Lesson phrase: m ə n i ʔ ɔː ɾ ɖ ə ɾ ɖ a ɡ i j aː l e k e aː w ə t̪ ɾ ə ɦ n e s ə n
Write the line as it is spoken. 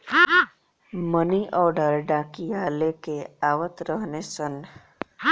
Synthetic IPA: m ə n i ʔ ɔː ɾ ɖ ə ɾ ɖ a k i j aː l e k e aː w ə t̪ ɾ ə ɦ n e s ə n